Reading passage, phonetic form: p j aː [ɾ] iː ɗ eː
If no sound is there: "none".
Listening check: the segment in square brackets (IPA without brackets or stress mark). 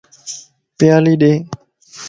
l